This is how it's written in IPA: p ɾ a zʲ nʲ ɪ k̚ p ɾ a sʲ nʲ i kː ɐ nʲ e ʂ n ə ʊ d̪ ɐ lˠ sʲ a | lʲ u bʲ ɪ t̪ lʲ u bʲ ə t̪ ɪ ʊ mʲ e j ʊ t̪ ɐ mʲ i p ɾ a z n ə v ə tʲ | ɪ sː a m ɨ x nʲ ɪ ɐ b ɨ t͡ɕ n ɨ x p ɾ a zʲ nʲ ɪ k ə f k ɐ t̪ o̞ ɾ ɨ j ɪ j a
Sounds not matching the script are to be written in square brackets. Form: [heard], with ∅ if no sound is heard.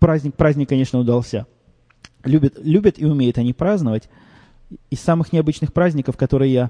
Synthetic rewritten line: p ɾ a zʲ nʲ ɪ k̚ p ɾ a [zʲ] nʲ [ɪ] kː ɐ nʲ e ʂ n ə ʊ d̪ ɐ lˠ sʲ a | lʲ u bʲ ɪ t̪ lʲ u bʲ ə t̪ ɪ ʊ mʲ e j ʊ t̪ ɐ [nʲ] i p ɾ a z n ə v ə tʲ | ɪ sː a m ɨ x nʲ ɪ ɐ b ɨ t͡ɕ n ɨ x p ɾ a zʲ nʲ ɪ k ə f k ɐ t̪ o̞ ɾ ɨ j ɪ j a